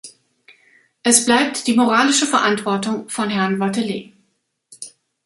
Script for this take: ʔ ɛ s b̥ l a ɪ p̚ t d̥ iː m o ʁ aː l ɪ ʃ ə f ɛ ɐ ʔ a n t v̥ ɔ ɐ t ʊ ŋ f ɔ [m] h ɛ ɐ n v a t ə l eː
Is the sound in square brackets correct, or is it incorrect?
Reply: incorrect